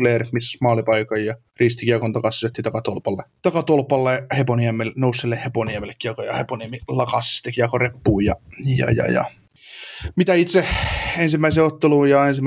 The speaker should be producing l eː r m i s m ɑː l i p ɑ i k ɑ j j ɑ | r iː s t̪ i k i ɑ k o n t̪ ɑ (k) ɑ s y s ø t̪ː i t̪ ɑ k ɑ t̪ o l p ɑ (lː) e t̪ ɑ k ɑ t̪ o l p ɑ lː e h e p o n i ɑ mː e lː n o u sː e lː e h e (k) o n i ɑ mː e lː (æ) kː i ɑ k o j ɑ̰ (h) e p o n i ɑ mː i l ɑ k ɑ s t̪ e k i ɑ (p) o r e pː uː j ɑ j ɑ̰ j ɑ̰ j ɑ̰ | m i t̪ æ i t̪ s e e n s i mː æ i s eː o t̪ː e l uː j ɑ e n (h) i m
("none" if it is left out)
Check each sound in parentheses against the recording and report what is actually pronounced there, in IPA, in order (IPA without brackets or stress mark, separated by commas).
k, lː, p, e, h, k, s